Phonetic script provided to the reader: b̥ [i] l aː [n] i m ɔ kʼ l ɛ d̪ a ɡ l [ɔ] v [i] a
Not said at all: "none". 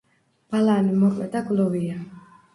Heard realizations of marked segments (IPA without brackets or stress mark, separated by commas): a, n, ɔ, i